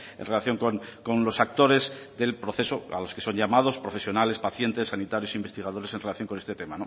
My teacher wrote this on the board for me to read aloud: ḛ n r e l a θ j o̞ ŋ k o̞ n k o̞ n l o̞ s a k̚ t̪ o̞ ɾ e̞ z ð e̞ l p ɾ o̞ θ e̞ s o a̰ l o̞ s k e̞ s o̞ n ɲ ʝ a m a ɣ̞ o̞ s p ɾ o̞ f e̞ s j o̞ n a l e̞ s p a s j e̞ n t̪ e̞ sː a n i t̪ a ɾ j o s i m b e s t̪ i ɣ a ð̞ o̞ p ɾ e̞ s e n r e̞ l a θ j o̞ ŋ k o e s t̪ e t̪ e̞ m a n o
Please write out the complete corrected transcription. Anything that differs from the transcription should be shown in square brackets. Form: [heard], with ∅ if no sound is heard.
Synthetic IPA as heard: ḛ n r e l a θ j o̞ ŋ k o̞ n k o̞ n l o̞ s a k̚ t̪ o̞ ɾ e̞ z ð e̞ l p ɾ o̞ θ e̞ s o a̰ l o̞ s k e̞ s o̞ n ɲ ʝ a m a [ð̞] o̞ s p ɾ o̞ f e̞ s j o̞ n a l e̞ s p a [θ] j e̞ n t̪ e̞ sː a n i t̪ a ɾ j o s i m b e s t̪ i ɣ a ð̞ o̞ [∅] ɾ e̞ s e n r e̞ l a θ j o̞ ŋ k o e s t̪ e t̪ e̞ m a n o